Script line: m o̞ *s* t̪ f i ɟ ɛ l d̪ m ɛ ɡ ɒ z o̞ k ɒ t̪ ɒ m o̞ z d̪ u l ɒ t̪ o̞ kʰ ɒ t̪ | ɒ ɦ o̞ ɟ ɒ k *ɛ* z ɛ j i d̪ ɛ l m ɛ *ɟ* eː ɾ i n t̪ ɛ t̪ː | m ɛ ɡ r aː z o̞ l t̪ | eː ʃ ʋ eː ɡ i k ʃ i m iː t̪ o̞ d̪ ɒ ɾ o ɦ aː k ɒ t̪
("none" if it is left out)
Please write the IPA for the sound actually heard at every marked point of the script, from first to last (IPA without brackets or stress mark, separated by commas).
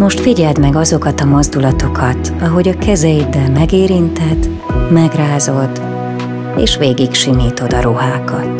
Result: ʃ, ɛ, ɡ